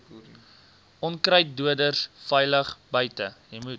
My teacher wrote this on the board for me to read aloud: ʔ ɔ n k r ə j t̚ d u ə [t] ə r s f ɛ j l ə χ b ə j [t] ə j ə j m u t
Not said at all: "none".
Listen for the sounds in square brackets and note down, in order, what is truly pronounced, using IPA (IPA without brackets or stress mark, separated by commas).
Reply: d, t